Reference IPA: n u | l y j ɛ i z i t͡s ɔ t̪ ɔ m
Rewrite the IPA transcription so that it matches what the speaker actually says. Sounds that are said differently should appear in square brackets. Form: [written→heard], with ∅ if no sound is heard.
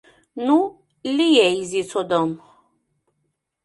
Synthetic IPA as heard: n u | l [y→i] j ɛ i z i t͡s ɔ [t̪→d̪] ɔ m